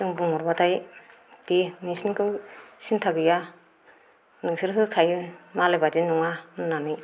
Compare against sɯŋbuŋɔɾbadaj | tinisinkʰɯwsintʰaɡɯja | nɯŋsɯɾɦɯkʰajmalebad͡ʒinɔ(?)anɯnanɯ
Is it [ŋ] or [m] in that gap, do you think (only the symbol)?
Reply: ŋ